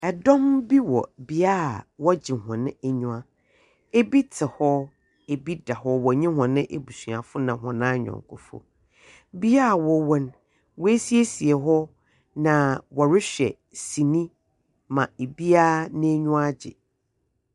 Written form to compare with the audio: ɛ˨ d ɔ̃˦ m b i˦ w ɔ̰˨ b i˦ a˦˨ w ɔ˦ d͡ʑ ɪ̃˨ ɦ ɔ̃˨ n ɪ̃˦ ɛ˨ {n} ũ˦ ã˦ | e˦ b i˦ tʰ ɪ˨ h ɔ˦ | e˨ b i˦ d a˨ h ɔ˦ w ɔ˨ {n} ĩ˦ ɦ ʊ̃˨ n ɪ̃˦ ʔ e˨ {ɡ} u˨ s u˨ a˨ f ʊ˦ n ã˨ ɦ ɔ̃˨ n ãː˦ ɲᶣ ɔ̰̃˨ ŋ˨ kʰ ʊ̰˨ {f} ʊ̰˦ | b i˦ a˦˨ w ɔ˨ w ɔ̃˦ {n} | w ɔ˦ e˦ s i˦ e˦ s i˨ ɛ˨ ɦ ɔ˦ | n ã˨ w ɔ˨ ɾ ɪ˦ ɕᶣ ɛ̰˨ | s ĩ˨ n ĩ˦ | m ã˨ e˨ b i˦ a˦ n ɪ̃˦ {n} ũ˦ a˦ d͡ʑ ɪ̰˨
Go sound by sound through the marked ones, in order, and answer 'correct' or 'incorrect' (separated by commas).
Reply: incorrect, incorrect, incorrect, correct, correct, incorrect